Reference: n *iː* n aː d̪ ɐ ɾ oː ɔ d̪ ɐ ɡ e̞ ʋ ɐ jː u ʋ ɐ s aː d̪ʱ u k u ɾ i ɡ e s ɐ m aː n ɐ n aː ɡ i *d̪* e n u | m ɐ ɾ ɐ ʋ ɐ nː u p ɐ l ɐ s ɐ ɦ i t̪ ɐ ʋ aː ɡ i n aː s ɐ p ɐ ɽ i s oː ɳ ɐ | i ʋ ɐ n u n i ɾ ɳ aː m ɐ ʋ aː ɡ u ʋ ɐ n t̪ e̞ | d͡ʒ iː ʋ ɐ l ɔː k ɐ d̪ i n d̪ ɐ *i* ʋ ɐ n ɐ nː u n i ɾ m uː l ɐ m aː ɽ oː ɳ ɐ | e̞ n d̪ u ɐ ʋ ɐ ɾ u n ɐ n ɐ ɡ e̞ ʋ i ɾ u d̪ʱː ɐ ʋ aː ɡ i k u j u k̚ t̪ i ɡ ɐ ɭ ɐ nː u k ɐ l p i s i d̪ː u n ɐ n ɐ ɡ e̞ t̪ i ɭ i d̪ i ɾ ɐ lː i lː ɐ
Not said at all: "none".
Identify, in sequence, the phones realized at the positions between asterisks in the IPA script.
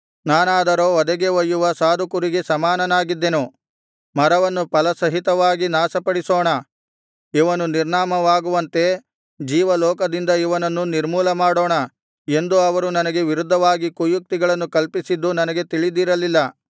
aː, d̪ː, i

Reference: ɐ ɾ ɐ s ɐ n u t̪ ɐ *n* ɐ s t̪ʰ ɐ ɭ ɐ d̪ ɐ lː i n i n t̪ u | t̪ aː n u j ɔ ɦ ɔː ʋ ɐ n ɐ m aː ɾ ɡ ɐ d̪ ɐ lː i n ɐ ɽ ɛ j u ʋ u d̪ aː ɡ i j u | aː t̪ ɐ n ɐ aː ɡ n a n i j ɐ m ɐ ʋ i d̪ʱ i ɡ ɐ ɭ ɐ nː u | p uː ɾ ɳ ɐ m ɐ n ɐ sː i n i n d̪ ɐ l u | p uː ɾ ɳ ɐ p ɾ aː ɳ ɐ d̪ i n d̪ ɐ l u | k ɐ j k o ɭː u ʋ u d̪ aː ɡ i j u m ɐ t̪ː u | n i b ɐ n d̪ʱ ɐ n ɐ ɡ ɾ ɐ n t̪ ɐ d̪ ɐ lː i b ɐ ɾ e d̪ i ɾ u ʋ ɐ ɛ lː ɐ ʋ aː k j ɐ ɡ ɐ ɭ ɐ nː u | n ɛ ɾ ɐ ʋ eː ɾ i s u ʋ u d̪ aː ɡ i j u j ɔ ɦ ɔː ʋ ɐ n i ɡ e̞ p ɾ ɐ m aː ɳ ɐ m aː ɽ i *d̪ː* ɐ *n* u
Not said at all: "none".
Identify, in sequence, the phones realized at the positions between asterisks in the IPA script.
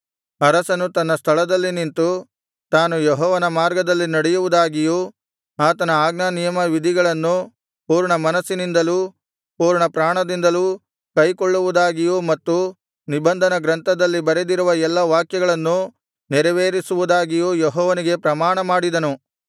nː, d̪, n

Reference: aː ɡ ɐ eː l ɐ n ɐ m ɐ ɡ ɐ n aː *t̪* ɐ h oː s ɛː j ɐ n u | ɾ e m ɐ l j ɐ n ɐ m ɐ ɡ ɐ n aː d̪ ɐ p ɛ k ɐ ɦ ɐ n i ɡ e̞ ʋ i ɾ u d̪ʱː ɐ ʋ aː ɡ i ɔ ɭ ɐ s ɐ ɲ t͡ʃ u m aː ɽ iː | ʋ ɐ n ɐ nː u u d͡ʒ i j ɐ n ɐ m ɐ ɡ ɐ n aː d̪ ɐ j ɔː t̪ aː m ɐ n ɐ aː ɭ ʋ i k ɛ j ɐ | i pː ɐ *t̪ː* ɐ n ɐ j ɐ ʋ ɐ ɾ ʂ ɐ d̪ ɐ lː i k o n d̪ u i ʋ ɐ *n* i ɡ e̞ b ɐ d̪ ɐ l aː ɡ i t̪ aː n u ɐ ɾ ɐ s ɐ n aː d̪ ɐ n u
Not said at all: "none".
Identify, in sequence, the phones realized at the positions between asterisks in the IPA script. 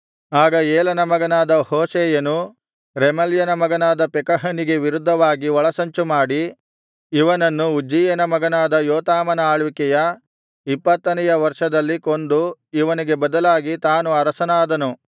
d̪, t̪ː, n

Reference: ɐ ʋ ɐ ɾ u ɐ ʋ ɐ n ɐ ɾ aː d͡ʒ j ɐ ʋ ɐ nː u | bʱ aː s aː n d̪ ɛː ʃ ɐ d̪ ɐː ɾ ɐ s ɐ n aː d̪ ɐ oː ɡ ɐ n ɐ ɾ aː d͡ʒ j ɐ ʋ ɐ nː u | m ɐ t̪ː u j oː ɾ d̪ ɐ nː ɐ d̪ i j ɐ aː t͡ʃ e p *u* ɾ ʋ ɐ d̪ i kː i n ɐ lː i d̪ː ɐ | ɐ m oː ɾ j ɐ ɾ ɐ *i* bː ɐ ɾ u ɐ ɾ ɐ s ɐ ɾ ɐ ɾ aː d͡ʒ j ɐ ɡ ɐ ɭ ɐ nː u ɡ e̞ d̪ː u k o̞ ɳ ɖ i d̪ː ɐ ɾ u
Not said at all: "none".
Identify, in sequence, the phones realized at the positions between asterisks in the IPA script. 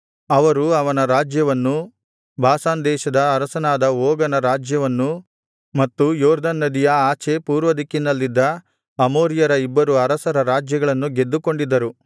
uː, i

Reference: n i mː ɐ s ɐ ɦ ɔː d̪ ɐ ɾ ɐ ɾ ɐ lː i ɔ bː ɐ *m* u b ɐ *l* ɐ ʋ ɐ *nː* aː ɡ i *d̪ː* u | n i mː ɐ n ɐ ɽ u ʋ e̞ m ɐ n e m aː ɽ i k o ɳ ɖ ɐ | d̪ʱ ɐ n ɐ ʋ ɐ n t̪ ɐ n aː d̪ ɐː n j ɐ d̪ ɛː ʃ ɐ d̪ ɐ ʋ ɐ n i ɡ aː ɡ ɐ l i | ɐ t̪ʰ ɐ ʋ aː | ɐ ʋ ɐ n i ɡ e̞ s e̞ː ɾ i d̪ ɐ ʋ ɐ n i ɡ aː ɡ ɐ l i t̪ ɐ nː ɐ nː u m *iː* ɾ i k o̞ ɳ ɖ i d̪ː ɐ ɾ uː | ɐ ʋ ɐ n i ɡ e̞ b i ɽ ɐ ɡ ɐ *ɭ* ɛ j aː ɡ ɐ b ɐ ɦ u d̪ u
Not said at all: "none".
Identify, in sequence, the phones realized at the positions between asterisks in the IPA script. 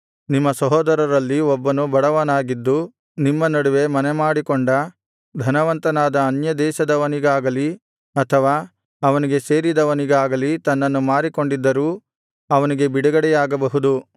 n, ɽ, n, d̪ː, aː, ɽ

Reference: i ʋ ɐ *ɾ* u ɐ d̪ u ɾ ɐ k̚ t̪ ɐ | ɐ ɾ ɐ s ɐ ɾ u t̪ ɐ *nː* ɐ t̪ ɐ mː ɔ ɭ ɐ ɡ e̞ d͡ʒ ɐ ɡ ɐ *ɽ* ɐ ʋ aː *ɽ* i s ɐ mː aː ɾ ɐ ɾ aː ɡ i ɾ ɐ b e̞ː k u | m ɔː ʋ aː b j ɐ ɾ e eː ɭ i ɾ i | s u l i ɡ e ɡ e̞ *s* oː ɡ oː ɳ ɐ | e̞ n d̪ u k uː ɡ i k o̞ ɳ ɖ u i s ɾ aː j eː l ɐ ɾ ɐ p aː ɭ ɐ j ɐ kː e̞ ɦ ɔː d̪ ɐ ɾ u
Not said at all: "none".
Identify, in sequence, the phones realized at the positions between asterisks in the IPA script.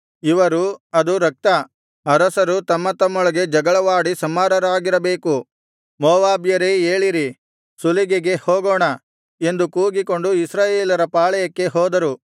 ɾ, mː, ɭ, ɽ, h

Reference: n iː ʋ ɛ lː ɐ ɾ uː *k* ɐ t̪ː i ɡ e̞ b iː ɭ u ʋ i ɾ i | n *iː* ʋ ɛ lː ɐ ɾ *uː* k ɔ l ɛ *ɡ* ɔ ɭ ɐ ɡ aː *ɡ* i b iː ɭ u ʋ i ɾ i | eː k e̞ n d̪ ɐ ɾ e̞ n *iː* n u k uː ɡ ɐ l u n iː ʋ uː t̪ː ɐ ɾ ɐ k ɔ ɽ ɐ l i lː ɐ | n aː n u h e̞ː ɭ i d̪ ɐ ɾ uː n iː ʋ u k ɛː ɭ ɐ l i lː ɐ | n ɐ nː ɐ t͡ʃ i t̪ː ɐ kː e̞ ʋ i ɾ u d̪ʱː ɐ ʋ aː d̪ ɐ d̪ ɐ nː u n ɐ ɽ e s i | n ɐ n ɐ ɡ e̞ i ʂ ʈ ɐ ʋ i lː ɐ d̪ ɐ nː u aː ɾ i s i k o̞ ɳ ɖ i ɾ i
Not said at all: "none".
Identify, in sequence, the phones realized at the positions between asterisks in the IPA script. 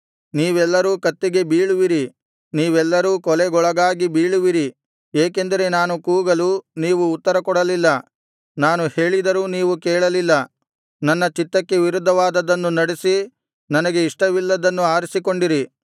k, iː, uː, ɡ, ɡ, aː

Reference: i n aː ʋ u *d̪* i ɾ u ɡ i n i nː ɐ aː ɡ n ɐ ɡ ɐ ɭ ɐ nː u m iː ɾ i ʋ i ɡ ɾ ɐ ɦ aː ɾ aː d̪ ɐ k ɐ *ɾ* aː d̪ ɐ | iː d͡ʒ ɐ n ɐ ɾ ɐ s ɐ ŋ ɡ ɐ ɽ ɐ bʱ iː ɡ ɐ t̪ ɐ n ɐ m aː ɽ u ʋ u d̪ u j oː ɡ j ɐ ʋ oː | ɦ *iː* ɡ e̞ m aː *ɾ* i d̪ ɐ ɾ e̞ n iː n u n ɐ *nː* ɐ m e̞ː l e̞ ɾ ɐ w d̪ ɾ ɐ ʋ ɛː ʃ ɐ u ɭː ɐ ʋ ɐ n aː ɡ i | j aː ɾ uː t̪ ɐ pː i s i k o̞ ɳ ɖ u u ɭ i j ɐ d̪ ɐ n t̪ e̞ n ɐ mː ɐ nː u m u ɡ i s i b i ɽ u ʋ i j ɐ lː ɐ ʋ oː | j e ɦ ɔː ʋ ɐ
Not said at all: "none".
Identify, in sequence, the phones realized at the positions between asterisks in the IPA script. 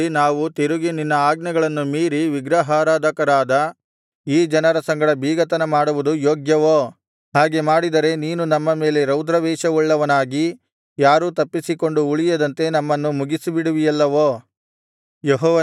t̪, ɾ, aː, ɽ, mː

